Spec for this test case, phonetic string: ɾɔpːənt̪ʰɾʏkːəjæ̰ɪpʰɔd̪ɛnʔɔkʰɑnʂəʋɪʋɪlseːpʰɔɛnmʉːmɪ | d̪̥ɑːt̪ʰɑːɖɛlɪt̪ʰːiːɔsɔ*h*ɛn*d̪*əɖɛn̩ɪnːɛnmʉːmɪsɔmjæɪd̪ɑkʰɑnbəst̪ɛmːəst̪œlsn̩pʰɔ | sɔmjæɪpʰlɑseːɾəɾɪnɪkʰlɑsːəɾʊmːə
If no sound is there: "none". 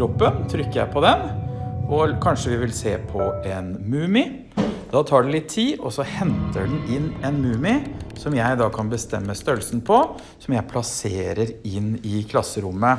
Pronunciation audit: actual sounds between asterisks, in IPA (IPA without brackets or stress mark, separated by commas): h, t̪